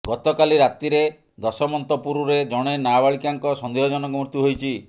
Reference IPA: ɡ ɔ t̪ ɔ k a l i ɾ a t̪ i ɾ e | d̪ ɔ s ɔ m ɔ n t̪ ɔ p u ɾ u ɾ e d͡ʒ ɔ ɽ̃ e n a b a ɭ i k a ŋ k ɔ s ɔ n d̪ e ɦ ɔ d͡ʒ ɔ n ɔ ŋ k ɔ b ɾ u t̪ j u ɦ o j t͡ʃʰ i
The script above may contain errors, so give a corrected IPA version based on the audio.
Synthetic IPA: ɡ ɔ t̪ ɔ k a l i ɾ a t̪ i ɾ e | d̪ ɔ s ɔ m ɔ n t̪ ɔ p u ɾ u ɾ e d͡ʒ ɔ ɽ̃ e n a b a ɭ i k a ŋ k ɔ s ɔ n d̪ e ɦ ɔ d͡ʒ ɔ n ɔ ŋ k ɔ m ɾ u t̪ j u ɦ o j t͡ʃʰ i